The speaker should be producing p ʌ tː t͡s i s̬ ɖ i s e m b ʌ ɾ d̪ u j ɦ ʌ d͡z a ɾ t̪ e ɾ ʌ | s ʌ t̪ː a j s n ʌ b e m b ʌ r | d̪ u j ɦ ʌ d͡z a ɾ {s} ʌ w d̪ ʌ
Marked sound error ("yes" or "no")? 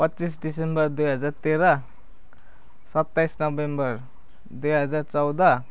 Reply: yes